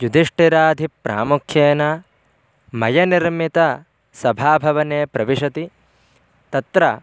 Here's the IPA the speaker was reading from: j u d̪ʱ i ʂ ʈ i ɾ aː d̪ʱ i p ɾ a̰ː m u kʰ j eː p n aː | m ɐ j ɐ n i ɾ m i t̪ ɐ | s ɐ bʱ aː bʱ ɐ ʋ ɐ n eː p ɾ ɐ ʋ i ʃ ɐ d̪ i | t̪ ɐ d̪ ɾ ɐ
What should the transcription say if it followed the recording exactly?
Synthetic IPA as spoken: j u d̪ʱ i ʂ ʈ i ɾ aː d̪ʱ i p ɾ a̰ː m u kʰ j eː n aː | m ɐ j ɐ n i ɾ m i t̪ ɐ | s ɐ bʱ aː bʱ ɐ ʋ ɐ n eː p ɾ ɐ ʋ i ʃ ɐ t̪ i | t̪ ɐ t̪ ɾ ɐ